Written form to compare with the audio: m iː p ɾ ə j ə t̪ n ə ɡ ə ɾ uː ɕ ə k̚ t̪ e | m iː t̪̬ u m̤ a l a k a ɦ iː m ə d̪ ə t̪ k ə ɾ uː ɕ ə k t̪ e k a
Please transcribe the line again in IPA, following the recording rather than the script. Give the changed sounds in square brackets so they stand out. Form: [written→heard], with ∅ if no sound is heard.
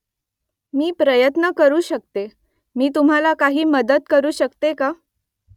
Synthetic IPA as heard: m iː p ɾ ə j ə t̪ n ə [ɡ→k] ə ɾ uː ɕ ə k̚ t̪ e | m iː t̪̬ u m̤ a l a k a ɦ iː m ə d̪ ə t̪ k ə ɾ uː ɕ ə k t̪ e k a